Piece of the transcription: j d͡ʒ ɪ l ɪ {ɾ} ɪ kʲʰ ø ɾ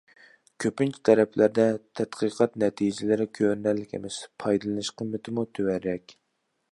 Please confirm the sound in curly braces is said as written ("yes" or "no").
yes